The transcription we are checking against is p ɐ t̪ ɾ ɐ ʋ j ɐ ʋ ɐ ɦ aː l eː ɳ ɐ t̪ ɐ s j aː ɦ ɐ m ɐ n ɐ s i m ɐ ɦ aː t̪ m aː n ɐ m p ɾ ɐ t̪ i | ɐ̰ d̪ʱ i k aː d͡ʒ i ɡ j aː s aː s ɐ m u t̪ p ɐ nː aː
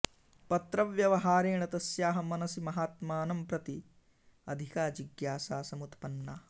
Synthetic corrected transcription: p ɐ t̪ ɾ ɐ ʋ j ɐ ʋ ɐ ɦ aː ɾ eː ɳ ɐ t̪ ɐ s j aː ɦ ɐ m ɐ n ɐ s i m ɐ ɦ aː t̪ m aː n ɐ m p ɾ ɐ t̪ i | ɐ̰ d̪ʱ i k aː d͡ʒ i ɡ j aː s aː s ɐ m u t̪ p ɐ nː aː